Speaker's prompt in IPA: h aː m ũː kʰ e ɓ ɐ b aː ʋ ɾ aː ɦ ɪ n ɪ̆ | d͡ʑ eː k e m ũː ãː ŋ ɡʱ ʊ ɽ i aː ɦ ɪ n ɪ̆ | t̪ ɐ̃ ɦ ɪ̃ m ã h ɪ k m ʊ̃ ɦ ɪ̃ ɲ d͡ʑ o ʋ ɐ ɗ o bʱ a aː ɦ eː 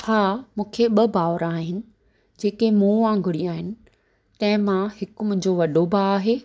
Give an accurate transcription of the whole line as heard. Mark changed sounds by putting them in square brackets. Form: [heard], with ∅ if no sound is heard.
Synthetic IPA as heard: h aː m ũː kʰ e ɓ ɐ b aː ʋ ɾ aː ɦ ɪ n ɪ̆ | d͡ʑ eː k e m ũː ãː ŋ ɡʱ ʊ ɽ i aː ɦ ɪ n ɪ̆ | t̪ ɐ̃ ɦ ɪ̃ m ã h ɪ k m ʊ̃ ɦ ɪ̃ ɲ d͡ʑ o ʋ ɐ ɗ o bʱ a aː ɦ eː